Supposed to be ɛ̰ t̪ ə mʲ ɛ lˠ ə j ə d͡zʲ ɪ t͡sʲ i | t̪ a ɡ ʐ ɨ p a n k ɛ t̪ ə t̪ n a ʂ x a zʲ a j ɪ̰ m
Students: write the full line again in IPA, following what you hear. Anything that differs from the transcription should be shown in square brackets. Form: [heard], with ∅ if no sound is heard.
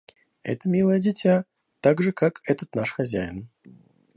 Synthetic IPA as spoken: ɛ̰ t̪ ə mʲ [i] lˠ ə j ə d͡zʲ ɪ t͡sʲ [a] | t̪ a ɡ ʐ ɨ [k] a [∅] k ɛ t̪ ə t̪ n a ʂ x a zʲ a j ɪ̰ [n]